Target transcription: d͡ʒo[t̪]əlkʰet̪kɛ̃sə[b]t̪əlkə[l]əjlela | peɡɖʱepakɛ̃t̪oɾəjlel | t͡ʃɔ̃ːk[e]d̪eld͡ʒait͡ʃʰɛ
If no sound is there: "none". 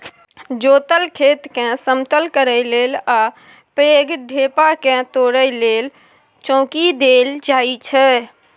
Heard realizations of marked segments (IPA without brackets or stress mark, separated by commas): t̪, m, ɾ, i